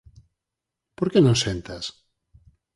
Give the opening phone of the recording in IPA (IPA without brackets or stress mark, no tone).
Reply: p